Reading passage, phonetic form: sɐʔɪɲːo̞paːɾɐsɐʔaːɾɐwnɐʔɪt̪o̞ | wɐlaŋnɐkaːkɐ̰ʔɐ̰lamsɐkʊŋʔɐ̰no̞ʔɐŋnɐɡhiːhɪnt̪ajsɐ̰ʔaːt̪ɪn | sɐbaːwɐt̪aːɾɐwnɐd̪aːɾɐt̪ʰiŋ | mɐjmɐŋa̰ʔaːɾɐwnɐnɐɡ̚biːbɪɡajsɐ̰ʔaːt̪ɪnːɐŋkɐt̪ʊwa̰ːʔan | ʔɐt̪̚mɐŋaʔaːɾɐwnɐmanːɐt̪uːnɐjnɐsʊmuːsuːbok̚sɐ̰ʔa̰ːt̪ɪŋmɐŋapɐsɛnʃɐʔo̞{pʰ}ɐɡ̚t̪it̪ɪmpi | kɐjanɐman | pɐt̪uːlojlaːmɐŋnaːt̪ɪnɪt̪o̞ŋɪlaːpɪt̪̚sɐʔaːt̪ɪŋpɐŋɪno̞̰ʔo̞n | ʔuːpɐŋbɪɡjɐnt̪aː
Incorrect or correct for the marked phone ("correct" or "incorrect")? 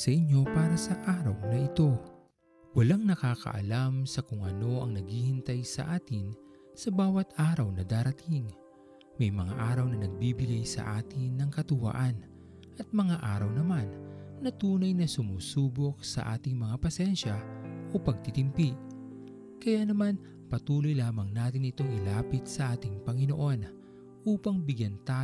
incorrect